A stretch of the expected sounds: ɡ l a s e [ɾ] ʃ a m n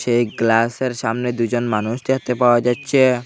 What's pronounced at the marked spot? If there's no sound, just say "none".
ɾ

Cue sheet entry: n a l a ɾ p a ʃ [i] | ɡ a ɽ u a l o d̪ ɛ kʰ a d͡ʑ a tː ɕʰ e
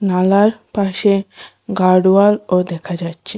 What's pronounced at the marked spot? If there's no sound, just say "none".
e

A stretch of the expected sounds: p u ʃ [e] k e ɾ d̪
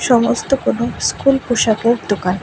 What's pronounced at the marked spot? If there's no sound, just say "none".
a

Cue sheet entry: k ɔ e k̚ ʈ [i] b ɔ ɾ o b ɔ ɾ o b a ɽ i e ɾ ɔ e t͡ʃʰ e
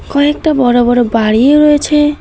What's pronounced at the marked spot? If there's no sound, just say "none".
a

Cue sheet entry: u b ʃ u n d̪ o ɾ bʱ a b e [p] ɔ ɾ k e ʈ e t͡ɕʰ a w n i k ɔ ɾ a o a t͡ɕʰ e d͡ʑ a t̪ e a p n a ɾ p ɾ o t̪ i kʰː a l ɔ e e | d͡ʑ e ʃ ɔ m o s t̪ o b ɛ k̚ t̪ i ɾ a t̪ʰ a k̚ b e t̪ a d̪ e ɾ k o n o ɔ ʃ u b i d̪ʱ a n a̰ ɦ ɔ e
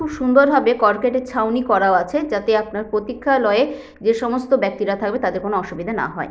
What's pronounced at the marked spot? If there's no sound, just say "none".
k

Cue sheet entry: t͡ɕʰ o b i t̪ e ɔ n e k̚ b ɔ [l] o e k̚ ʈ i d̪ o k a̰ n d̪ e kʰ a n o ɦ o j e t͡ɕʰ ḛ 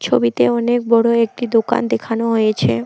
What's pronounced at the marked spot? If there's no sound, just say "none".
ɽ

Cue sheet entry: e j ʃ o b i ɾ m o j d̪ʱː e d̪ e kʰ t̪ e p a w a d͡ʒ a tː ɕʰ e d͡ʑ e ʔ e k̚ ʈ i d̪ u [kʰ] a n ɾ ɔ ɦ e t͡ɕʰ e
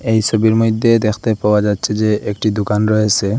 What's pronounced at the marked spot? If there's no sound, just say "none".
k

